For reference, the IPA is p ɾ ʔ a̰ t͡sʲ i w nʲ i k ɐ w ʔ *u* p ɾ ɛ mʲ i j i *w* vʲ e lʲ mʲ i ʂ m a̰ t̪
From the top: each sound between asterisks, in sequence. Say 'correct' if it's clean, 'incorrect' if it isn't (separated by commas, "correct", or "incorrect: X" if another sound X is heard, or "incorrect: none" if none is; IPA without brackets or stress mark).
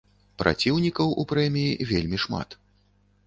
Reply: correct, incorrect: none